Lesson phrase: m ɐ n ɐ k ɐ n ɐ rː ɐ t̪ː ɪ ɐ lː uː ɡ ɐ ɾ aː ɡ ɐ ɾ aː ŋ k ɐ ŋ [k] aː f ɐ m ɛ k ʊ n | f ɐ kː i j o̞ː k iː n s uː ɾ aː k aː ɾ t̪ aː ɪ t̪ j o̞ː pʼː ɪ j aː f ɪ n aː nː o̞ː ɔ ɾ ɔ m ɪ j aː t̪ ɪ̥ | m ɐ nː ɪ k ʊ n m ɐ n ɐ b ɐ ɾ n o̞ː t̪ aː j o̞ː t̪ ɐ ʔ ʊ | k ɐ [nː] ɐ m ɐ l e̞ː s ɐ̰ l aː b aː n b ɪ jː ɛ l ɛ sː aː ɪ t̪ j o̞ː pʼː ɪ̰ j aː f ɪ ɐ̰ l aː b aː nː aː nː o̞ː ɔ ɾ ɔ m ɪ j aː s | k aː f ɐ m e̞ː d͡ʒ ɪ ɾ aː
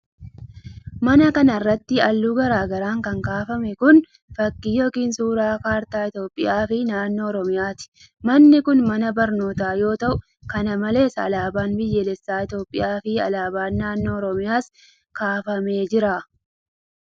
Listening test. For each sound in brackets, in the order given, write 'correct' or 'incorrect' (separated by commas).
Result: correct, incorrect